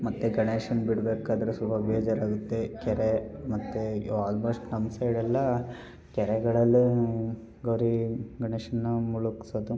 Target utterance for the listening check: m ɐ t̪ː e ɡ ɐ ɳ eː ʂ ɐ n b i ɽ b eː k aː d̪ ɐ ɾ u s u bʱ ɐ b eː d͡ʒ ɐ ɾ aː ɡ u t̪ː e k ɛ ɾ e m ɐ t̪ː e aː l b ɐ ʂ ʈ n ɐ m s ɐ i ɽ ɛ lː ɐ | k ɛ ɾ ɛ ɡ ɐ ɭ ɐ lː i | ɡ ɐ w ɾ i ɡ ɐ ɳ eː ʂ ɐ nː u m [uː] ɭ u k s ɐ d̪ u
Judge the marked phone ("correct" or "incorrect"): incorrect